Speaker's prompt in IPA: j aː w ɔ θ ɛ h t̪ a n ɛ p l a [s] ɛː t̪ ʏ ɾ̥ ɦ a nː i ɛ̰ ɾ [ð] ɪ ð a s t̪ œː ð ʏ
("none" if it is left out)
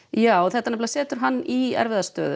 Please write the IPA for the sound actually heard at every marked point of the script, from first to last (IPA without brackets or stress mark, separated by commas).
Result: s, v